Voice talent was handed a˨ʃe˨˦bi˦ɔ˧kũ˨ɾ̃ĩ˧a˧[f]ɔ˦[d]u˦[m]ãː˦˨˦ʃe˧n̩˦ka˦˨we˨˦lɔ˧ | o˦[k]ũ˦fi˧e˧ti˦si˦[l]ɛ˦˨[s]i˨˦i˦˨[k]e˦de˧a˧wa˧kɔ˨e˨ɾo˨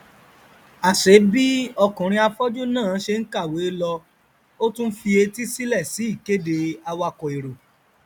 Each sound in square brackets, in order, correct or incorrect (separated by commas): correct, incorrect, incorrect, incorrect, correct, correct, correct